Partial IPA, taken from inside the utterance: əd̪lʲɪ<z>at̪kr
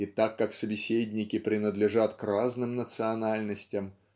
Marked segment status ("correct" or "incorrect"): incorrect